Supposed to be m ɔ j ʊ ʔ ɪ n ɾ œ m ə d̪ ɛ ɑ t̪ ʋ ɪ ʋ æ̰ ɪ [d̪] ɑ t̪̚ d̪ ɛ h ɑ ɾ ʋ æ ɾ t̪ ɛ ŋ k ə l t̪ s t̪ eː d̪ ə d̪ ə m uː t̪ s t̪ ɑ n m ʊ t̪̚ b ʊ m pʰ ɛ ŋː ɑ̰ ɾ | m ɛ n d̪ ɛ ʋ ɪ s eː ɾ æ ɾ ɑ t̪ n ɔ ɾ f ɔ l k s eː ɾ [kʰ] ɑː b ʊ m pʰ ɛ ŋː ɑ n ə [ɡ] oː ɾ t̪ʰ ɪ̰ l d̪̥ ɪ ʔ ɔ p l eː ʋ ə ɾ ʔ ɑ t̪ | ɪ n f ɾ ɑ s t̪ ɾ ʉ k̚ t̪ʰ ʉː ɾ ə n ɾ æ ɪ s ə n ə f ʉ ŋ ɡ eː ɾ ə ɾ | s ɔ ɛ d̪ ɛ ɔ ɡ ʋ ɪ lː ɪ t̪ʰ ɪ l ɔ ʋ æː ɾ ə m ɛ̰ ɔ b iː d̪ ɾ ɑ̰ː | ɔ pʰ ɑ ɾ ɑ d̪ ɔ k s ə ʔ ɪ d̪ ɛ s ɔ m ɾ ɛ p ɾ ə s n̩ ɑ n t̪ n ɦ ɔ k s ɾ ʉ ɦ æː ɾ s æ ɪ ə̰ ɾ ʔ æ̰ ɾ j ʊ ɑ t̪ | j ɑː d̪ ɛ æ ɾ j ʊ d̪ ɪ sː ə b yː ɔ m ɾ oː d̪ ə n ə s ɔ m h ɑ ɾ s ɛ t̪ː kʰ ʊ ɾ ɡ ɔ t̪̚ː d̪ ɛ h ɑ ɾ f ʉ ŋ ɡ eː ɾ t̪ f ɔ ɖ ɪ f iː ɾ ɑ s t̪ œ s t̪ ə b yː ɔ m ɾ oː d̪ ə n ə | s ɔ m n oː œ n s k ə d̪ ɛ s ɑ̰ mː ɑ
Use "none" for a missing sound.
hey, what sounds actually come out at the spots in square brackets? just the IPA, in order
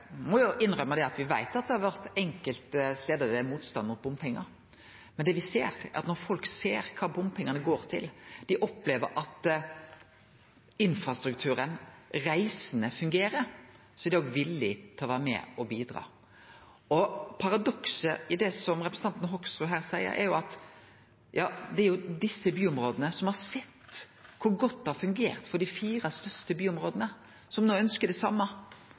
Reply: t̪, kʰ, ɡ

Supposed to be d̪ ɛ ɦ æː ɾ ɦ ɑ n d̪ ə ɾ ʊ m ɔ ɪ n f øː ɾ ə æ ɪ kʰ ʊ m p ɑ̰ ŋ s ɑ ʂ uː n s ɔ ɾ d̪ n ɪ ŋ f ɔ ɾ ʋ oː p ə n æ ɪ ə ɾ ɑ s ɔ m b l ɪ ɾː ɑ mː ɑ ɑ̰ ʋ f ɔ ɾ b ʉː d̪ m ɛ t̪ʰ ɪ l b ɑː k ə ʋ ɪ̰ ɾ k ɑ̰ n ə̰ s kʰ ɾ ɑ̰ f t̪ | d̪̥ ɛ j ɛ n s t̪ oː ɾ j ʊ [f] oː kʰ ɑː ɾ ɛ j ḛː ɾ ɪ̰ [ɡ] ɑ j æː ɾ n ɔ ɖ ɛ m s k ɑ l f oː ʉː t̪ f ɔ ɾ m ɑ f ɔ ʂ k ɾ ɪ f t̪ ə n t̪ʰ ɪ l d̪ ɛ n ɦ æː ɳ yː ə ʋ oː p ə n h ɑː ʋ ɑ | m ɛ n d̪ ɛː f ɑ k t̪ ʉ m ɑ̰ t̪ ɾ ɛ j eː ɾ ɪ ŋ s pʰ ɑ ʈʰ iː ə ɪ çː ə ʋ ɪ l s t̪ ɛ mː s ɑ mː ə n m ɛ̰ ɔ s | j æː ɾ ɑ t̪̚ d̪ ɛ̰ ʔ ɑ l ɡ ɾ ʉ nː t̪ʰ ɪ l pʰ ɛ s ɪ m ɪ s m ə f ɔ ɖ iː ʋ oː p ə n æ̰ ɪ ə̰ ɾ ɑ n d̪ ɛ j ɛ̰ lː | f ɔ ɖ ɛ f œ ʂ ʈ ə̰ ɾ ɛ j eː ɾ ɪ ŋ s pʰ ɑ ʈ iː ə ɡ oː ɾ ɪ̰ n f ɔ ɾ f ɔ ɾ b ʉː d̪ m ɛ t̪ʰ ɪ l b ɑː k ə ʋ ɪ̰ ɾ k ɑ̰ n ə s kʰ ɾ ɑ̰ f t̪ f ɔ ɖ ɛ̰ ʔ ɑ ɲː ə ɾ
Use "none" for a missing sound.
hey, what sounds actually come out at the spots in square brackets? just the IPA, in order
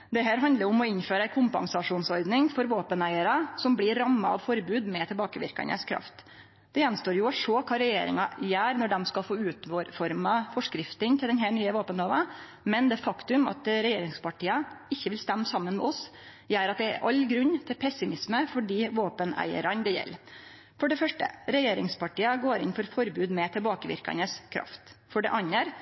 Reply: ʂ, ŋ

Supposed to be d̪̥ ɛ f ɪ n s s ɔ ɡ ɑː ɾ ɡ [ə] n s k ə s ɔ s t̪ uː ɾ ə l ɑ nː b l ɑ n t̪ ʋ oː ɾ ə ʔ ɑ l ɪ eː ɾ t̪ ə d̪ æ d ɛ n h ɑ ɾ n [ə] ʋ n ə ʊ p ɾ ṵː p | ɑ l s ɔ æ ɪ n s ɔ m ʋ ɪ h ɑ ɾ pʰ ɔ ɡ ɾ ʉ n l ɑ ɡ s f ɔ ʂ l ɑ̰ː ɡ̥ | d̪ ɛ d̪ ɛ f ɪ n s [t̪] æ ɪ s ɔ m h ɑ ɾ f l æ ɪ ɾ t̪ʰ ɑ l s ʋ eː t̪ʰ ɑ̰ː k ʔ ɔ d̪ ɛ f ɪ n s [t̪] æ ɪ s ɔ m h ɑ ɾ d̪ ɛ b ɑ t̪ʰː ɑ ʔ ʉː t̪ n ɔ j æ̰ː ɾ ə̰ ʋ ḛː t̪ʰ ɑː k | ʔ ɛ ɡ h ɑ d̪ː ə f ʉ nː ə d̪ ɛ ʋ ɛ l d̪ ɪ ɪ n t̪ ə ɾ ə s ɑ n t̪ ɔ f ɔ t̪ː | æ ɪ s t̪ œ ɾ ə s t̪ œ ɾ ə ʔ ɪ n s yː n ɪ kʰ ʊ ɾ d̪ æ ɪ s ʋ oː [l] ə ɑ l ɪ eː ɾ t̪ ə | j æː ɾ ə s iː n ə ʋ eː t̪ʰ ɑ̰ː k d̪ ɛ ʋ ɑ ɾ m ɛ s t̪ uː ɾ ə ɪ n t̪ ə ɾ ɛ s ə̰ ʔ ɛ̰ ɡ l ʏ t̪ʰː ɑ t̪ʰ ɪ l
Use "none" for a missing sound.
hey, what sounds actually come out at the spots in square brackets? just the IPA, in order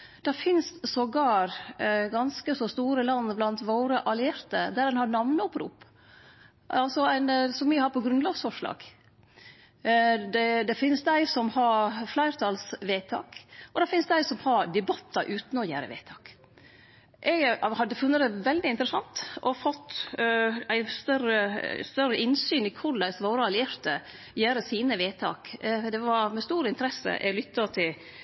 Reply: ɑ, ɑ, d̪, d̪, ɾ

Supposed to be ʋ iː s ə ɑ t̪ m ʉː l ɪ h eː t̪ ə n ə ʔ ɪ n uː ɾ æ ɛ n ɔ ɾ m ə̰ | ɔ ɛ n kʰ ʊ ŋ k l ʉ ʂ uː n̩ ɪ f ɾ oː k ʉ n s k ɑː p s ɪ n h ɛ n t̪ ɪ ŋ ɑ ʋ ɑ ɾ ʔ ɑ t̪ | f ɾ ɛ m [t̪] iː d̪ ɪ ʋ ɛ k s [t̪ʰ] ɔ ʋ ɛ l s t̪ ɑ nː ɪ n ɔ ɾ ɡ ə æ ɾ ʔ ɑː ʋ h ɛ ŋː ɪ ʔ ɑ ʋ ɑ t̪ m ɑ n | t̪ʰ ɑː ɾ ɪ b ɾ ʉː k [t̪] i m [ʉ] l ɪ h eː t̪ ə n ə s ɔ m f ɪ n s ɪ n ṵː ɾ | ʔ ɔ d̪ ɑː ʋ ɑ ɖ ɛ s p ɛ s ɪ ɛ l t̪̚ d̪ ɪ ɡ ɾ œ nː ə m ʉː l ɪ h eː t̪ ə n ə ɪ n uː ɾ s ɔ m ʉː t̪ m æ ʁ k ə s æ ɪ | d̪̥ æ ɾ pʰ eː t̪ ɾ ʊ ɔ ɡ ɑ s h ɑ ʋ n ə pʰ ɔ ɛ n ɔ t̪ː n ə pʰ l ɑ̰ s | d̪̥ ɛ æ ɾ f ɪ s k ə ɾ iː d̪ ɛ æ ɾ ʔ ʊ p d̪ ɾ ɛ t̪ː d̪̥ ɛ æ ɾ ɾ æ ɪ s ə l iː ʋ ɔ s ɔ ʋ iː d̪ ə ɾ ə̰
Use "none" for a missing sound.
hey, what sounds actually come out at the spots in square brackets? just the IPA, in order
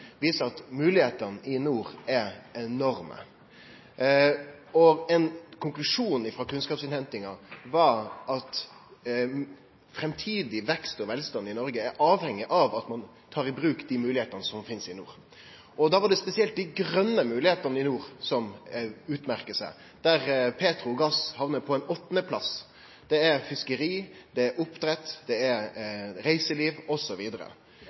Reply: t̪ʰ, t̪, d̪, ʉː

